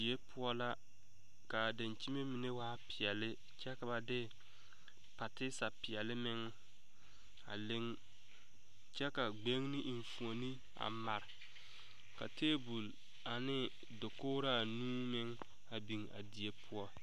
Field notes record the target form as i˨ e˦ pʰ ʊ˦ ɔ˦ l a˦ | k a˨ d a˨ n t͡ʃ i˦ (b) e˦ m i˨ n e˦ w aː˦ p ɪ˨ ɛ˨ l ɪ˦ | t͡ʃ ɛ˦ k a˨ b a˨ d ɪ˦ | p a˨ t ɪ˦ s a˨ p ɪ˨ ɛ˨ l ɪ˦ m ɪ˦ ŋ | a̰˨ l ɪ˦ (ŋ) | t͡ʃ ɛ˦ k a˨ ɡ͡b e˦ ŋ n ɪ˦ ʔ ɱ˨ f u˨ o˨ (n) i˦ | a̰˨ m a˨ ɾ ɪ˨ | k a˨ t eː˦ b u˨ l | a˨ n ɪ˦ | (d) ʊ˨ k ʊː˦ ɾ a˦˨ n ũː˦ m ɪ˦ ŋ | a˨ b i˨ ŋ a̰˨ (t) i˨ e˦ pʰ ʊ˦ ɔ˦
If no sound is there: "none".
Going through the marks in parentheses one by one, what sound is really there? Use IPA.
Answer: m, ŋ, n, d, d

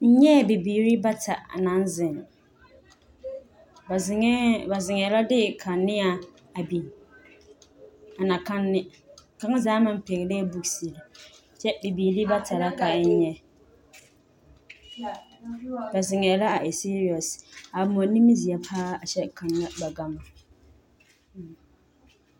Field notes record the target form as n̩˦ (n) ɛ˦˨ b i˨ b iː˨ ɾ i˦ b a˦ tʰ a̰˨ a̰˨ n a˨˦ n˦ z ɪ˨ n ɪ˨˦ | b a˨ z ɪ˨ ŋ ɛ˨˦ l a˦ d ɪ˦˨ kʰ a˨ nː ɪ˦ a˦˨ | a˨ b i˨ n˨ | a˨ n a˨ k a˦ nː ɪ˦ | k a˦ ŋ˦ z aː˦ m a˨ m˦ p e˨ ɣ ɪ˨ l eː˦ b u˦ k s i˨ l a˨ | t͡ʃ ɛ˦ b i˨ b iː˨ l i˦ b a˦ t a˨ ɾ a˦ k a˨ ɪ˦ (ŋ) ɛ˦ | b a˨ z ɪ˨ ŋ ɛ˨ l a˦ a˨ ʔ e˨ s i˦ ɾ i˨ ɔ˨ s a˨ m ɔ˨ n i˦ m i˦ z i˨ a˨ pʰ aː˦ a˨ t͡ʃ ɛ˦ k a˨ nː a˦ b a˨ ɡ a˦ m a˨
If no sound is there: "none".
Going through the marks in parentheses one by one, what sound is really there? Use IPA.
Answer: ɲ, ɲ

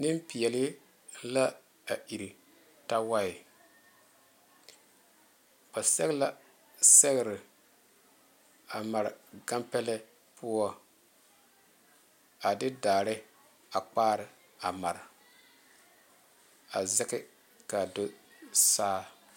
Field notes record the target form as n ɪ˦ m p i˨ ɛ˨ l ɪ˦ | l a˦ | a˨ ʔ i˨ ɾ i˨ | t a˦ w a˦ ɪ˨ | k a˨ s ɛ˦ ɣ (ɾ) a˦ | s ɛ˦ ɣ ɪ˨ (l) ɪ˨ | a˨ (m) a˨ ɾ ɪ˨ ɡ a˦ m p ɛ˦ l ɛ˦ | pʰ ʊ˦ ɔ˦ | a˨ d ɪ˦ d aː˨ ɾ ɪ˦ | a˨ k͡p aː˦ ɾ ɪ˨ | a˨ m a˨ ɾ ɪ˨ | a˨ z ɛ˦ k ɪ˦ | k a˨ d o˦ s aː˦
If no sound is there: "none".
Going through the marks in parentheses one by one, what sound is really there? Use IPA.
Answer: l, ɾ, m

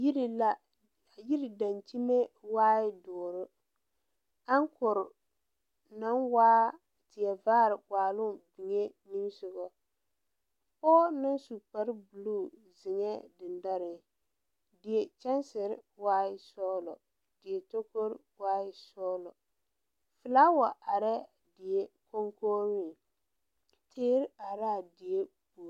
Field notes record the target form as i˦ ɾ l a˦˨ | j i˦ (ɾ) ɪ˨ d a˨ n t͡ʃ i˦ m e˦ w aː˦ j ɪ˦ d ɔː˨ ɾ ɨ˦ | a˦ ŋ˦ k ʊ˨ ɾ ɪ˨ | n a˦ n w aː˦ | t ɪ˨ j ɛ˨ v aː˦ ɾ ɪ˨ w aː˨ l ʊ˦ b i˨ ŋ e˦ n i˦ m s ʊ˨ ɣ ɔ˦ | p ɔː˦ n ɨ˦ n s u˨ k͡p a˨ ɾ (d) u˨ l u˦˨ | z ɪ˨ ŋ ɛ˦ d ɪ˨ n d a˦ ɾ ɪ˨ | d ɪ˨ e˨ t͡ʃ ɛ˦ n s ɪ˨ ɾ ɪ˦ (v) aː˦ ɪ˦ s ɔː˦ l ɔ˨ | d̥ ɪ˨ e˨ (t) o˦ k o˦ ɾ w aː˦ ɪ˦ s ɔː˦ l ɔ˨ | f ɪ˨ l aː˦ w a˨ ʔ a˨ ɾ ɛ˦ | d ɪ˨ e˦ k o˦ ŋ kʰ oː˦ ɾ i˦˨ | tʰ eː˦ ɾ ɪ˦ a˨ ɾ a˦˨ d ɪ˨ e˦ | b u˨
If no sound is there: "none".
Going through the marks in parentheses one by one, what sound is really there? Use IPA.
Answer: ɾ, b, w, t

